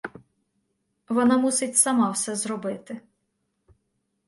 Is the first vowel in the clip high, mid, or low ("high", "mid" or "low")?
mid